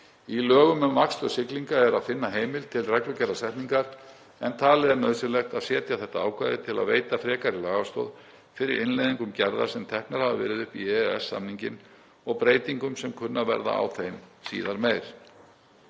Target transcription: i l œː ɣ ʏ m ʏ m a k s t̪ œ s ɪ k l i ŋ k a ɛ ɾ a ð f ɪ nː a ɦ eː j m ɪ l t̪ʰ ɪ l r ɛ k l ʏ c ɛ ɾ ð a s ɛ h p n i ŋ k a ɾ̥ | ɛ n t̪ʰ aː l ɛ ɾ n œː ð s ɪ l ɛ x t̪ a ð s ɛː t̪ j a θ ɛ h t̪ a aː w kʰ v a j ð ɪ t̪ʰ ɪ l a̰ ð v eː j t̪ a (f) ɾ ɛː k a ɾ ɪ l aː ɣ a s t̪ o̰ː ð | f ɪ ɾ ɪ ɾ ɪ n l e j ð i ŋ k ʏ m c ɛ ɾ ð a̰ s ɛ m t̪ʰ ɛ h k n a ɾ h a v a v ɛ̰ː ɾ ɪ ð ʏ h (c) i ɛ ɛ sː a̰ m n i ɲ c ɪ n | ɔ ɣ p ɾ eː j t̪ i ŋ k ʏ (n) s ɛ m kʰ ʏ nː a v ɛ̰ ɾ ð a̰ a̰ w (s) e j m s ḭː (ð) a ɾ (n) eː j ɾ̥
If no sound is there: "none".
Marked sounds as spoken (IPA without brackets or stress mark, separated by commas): f, p, m, θ, ð, m